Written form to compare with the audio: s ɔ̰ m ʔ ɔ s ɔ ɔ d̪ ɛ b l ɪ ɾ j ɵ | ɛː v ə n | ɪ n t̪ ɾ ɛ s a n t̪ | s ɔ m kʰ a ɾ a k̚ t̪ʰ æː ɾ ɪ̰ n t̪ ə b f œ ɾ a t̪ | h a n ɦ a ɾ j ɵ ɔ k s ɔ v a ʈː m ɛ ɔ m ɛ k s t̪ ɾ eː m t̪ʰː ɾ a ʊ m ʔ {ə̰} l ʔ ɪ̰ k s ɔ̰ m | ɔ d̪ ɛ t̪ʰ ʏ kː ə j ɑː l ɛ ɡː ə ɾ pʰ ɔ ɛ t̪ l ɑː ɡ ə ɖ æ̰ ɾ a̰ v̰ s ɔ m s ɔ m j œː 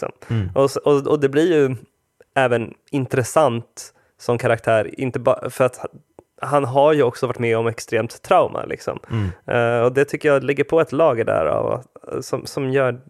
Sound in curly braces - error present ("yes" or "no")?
yes